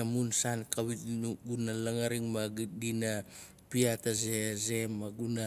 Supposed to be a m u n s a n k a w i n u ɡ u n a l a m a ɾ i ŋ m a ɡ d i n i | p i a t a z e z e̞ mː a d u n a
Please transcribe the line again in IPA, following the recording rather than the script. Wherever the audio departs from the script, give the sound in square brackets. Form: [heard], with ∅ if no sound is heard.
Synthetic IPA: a m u n s a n k a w i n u ɡ u n a l a [ŋ] a ɾ i ŋ m a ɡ d i n [a] | p i a t a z e z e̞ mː a [ɡ] u n a